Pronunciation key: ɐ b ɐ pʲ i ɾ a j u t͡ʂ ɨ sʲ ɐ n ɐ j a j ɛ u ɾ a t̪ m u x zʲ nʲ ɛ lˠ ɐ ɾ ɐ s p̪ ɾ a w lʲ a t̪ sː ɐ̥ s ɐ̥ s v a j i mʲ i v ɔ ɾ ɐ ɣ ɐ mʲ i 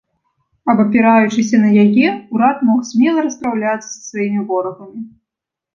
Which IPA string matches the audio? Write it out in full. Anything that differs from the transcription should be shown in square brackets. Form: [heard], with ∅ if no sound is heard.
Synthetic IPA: ɐ b ɐ pʲ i ɾ a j u t͡ʂ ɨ sʲ ɐ n ɐ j a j ɛ u ɾ a t̪ m [ɔ] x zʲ [mʲ] ɛ lˠ ɐ ɾ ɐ s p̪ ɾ a w lʲ a t̪ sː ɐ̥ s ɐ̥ s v a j i mʲ i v ɔ ɾ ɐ ɣ ɐ mʲ i